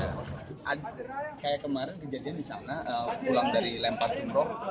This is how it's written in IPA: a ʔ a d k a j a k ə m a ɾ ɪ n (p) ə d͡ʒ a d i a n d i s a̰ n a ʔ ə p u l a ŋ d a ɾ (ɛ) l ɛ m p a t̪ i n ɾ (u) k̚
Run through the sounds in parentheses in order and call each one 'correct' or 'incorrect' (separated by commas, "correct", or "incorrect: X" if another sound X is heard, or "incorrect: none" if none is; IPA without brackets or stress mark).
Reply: incorrect: k, incorrect: i, incorrect: ɔ